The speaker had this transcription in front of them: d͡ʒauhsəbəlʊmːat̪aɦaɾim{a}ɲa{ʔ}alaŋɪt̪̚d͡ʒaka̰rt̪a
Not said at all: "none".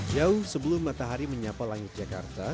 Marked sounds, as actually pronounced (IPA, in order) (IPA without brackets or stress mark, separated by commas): ə, p